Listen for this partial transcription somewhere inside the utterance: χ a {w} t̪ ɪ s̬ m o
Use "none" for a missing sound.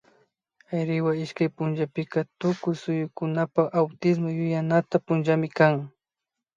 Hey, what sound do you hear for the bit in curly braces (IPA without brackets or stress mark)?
w